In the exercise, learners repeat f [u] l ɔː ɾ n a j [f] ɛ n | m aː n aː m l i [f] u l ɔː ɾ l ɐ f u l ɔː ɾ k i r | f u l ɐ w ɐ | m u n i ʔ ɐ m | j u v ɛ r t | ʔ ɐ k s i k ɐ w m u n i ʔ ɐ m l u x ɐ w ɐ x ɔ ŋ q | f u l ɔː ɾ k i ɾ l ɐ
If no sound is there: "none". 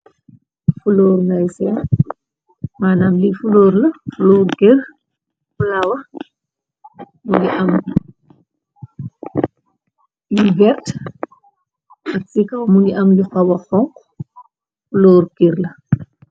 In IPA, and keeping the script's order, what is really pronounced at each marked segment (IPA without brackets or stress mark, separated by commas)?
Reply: u, s, f